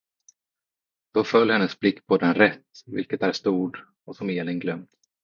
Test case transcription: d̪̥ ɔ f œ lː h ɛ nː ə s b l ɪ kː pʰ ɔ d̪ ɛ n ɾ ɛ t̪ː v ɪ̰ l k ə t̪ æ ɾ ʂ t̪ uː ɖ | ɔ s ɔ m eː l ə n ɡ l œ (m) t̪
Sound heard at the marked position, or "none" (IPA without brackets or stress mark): m